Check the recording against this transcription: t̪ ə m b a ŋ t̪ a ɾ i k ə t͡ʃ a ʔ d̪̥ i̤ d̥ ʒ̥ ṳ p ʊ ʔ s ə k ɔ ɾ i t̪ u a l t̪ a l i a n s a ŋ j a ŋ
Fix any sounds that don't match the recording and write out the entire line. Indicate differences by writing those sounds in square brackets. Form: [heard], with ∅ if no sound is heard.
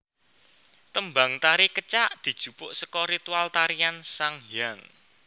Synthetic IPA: t̪ ə m b a ŋ t̪ a ɾ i k ə t͡ʃ a ʔ d̪̥ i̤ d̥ ʒ̥ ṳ p ʊ ʔ s ə k ɔ ɾ i t̪ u a l t̪ a [ɾ] i a n s a ŋ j a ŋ